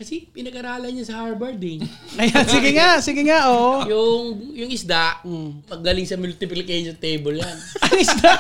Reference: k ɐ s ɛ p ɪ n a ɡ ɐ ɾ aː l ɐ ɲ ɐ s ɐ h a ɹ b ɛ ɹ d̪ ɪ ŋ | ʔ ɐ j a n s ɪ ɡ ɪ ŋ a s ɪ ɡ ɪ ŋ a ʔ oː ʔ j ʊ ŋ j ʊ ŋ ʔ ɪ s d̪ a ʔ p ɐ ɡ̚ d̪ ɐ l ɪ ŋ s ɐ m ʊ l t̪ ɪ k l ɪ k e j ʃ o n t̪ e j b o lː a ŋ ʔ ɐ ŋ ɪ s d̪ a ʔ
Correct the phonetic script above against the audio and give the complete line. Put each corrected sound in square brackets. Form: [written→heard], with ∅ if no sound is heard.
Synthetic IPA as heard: k ɐ s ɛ p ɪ n [a→ɐ] ɡ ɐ ɾ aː l ɐ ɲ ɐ s ɐ h a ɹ b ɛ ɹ d̪ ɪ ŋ | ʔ ɐ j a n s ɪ ɡ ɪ ŋ a s ɪ ɡ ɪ ŋ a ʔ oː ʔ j ʊ ŋ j ʊ ŋ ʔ ɪ s d̪ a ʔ p ɐ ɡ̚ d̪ ɐ l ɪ ŋ s ɐ m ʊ l t̪ ɪ [k→p] l ɪ k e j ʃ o n t̪ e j b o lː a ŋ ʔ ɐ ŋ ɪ s d̪ a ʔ